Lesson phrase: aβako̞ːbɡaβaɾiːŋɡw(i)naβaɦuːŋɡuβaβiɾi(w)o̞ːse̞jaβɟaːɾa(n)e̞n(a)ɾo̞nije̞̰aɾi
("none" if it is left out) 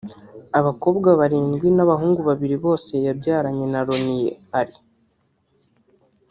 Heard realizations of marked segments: i, β, ɲ, a

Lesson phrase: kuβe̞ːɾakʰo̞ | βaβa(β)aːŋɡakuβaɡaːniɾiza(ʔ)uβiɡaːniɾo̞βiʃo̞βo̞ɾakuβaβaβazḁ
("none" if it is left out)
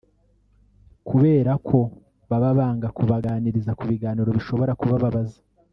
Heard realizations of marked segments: β, k

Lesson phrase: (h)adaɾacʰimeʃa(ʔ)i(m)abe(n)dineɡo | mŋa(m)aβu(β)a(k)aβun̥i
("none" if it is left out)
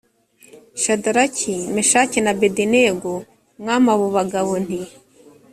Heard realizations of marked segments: ʃ, c, n, none, m, β, ɡ

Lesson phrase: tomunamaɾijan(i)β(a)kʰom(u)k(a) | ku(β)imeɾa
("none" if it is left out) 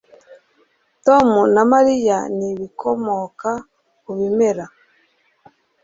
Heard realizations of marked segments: i, i, o, a, β

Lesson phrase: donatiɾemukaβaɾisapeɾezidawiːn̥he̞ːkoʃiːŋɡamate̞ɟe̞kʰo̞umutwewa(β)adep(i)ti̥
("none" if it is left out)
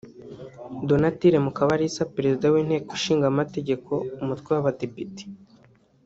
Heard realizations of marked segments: β, i

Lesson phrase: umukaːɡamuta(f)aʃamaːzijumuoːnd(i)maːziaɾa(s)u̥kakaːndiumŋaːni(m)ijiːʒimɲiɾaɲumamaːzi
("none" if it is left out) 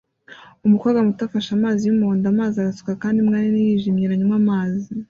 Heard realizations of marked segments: f, a, s, n

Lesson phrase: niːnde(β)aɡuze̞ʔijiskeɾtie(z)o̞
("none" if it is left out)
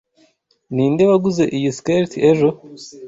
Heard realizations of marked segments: β, ʒ

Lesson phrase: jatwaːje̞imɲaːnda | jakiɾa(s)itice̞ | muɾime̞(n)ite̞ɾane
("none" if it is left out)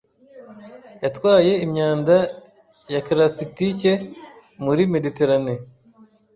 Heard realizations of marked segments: s, d

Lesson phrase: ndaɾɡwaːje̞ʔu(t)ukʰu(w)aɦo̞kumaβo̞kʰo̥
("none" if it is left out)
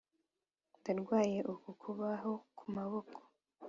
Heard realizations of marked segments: k, β

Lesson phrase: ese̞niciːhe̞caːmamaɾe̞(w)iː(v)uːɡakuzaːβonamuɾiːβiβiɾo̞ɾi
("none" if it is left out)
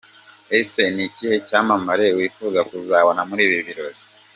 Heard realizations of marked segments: w, f

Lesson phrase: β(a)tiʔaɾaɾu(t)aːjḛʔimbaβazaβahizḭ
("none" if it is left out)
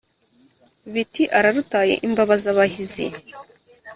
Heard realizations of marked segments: i, t

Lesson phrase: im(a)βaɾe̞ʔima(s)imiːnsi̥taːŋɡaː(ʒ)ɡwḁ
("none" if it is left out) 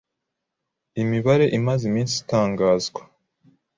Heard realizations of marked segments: i, z, z

